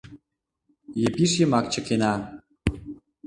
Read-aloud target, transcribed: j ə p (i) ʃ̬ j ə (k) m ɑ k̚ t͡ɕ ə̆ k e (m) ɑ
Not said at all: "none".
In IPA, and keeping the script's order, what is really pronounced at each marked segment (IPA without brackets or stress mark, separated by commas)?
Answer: i, none, n